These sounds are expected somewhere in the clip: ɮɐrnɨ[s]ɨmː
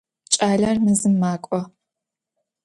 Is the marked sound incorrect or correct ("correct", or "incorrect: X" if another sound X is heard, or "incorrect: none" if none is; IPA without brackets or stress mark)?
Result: incorrect: z